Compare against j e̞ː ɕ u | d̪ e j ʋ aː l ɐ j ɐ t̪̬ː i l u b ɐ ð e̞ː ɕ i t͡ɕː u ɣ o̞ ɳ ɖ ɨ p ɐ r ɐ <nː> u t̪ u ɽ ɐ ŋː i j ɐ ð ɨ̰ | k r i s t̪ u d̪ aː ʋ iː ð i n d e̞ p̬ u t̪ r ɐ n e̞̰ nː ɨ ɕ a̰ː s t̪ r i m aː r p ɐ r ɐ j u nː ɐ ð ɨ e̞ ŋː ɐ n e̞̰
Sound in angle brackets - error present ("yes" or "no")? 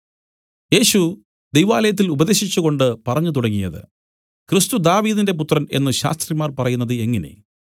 yes